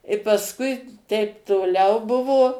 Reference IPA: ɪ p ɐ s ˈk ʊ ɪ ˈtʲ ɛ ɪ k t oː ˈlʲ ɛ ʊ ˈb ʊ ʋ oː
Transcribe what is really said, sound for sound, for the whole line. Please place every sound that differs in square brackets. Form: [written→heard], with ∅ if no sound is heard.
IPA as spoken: ɪ p ɐ s ˈk ʊ ɪ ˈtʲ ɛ ɪ [k→p] t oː ˈlʲ ɛ ʊ ˈb ʊ ʋ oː